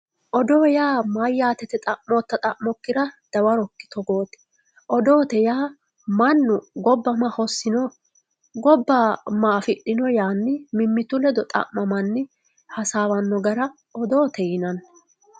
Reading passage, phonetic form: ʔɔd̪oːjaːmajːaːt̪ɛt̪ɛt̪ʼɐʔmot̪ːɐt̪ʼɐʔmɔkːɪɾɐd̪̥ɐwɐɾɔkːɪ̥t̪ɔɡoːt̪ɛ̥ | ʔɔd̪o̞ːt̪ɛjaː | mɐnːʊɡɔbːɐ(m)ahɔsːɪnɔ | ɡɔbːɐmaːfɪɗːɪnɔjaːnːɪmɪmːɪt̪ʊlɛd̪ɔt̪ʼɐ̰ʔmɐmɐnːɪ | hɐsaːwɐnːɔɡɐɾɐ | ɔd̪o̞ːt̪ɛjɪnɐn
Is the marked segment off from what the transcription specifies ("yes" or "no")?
no